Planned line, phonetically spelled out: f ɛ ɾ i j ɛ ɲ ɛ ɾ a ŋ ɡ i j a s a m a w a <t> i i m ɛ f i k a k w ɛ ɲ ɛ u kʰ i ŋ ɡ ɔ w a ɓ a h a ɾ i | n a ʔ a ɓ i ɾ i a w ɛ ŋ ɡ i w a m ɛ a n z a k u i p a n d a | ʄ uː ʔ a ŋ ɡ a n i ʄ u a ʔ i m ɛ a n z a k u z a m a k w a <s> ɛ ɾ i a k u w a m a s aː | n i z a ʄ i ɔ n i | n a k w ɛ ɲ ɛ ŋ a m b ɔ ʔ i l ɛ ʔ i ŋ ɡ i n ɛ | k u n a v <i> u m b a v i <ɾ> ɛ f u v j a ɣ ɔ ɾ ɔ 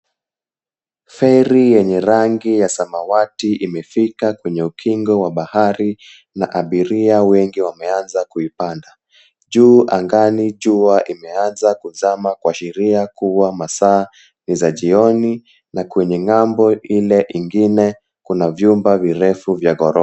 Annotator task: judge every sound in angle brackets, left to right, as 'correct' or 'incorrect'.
correct, incorrect, incorrect, correct

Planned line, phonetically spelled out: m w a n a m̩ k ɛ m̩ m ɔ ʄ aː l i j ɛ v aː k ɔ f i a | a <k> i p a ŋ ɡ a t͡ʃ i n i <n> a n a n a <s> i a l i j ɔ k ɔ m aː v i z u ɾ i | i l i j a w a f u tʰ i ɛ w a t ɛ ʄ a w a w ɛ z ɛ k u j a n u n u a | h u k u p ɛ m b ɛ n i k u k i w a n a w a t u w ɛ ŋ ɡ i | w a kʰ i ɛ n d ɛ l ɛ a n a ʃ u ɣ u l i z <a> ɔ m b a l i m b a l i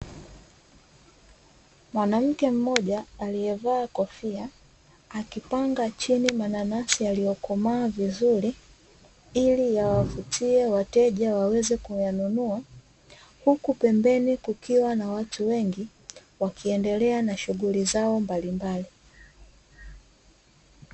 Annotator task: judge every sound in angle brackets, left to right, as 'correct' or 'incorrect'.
correct, incorrect, correct, correct

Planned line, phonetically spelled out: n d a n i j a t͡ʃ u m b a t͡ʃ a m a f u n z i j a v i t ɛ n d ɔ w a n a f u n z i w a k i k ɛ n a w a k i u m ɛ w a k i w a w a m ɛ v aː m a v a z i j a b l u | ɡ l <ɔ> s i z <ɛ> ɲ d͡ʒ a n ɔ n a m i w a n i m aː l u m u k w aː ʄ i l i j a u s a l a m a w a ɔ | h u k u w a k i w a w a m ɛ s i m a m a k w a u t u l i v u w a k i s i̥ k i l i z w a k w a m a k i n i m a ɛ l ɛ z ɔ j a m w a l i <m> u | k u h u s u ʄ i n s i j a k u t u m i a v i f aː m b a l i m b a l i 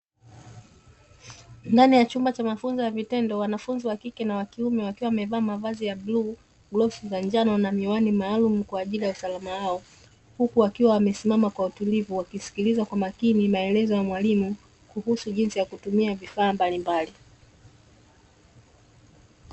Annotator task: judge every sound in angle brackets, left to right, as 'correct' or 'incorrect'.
correct, incorrect, correct

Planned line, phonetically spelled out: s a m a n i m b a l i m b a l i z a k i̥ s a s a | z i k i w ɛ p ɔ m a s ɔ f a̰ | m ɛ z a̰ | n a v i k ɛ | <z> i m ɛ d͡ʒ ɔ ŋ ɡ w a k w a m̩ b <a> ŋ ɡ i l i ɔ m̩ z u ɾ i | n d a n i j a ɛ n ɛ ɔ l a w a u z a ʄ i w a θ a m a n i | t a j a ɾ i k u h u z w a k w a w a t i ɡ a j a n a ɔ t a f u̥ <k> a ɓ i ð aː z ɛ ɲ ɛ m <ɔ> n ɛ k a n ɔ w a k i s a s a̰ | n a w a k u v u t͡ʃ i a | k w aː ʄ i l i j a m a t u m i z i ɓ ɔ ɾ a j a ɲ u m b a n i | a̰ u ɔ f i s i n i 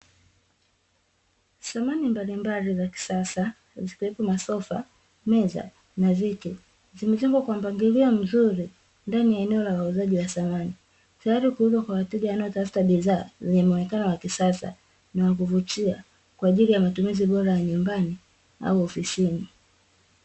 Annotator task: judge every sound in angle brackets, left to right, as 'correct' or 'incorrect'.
correct, correct, incorrect, correct

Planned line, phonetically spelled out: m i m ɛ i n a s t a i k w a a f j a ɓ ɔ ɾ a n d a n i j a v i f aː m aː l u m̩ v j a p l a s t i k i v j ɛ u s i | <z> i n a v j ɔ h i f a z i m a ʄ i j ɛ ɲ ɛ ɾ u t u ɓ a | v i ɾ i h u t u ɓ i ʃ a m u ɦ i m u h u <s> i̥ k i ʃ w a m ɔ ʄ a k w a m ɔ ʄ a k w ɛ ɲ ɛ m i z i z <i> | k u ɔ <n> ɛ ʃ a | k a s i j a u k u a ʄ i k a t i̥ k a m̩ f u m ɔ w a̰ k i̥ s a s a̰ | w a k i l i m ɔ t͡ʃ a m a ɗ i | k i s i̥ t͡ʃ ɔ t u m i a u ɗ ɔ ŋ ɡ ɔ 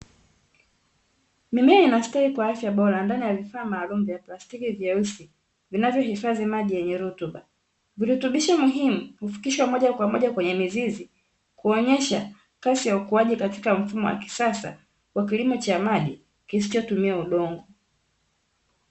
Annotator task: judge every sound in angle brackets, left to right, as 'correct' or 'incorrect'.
incorrect, incorrect, correct, incorrect

